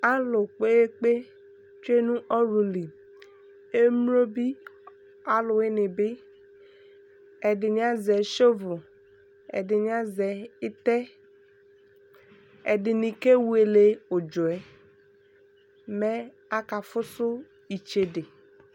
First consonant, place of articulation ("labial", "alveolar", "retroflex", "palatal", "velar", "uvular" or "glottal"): alveolar